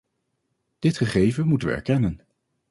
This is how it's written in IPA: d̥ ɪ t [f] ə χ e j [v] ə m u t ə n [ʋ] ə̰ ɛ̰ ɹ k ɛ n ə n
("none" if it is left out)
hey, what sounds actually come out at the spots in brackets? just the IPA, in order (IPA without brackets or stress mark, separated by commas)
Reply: χ, v, ʋ